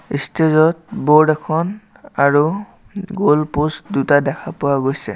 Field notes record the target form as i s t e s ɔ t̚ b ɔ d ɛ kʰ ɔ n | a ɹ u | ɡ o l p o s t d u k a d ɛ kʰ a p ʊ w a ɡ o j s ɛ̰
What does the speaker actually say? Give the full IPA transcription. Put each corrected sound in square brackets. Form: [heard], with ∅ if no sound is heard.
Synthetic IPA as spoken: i s t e [z] ɔ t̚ b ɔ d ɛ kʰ ɔ n | a ɹ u | ɡ o l p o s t d u [t] a d ɛ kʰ a p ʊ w a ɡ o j s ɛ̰